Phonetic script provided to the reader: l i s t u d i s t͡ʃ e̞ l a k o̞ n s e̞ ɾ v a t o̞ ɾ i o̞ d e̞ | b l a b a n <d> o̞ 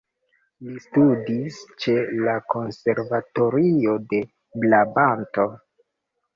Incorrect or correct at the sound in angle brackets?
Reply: incorrect: t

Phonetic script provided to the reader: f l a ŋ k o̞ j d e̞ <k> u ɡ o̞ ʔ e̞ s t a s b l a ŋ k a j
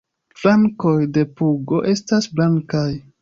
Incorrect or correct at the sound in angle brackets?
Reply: incorrect: p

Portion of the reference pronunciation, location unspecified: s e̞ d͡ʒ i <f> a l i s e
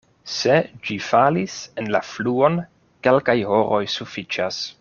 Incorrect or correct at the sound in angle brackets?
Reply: correct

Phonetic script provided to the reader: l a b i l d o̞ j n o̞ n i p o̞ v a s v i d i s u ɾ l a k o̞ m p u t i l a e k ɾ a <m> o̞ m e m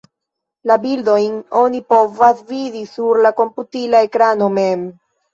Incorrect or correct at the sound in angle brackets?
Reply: incorrect: n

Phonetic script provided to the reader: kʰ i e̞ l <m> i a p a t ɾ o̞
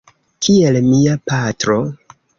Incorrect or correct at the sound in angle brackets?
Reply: correct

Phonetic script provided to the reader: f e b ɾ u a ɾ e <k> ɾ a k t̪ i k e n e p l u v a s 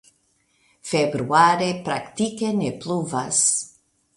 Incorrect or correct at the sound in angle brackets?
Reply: incorrect: p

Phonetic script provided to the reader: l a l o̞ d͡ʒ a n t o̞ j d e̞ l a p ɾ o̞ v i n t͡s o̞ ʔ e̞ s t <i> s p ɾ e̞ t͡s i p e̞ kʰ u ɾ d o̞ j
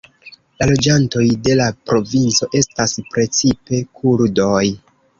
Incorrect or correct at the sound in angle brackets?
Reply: incorrect: a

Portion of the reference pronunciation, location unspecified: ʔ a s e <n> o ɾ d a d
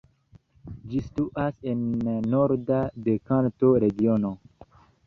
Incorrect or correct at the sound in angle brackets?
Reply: incorrect: nː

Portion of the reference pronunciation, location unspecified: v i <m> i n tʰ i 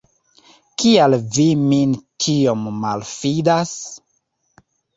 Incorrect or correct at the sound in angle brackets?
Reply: correct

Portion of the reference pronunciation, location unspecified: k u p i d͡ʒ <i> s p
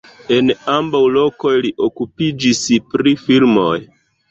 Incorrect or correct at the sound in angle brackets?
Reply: correct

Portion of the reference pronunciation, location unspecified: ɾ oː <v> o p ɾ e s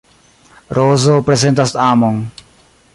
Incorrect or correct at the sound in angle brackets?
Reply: incorrect: z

